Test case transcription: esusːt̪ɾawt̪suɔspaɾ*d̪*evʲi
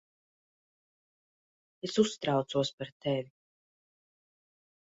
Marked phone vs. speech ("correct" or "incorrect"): incorrect